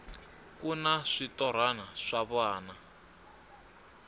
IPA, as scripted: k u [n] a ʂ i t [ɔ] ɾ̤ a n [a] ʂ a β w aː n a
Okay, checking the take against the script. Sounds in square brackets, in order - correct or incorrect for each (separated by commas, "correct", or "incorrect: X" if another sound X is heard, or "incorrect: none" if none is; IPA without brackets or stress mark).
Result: correct, correct, correct